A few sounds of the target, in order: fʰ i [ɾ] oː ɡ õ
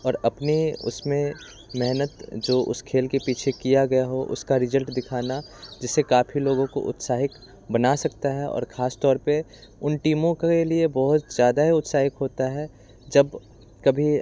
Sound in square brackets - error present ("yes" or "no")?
yes